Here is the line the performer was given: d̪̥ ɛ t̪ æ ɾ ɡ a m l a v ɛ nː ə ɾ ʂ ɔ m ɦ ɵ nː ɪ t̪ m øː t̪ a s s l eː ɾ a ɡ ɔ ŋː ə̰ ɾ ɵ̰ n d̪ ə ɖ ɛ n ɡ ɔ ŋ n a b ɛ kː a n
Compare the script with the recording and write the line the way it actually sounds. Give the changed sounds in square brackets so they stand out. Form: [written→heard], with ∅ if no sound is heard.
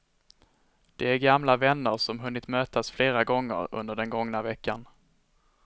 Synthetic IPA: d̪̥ ɛ [t̪→∅] æ ɾ ɡ a m l a v ɛ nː ə ɾ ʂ ɔ m ɦ ɵ nː ɪ t̪ m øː t̪ a s [s→f] l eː ɾ a ɡ ɔ ŋː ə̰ ɾ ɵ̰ n d̪ ə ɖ ɛ n ɡ ɔ ŋ n a [b→v] ɛ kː a n